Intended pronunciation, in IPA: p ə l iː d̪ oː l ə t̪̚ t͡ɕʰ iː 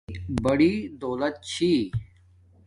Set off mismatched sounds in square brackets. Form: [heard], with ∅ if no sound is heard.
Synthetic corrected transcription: [b] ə [ɽ] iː d̪ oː l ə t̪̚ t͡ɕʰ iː